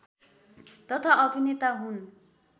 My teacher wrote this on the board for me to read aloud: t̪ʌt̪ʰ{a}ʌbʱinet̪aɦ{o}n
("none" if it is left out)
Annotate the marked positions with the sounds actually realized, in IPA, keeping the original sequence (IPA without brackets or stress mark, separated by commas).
a, u